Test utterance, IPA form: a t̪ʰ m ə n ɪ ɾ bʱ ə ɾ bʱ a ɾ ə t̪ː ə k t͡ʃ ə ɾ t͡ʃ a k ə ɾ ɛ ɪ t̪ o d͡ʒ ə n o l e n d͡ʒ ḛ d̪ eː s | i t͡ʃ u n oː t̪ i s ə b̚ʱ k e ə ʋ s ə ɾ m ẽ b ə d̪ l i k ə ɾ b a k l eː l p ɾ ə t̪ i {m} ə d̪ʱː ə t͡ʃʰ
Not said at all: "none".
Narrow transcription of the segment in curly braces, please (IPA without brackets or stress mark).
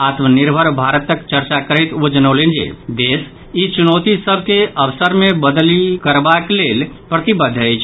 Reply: b